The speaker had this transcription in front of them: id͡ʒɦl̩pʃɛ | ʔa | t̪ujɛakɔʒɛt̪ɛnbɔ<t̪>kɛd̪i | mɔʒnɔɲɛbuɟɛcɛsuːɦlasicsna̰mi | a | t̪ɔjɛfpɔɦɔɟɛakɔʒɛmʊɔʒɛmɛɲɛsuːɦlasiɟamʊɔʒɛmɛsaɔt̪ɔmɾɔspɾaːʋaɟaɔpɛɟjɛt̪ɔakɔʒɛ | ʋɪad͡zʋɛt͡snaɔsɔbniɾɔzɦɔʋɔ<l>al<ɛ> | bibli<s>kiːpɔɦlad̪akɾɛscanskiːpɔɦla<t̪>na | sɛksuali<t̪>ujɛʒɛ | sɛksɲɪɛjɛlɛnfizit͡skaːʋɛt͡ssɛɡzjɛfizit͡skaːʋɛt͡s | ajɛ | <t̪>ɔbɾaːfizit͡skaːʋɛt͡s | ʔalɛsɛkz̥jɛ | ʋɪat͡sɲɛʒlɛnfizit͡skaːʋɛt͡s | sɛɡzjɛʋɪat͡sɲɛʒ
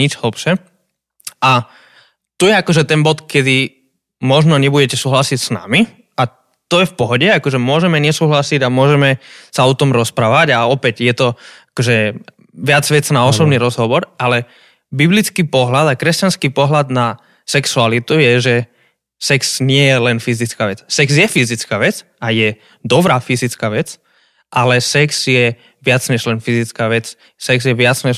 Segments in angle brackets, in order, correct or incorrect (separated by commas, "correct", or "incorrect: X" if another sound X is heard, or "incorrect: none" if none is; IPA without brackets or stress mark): correct, incorrect: ɾ, correct, incorrect: t͡s, incorrect: d̪, correct, incorrect: d̪